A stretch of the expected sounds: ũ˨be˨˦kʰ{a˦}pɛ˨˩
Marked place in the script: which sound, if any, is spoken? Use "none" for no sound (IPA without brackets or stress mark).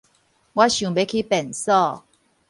i˦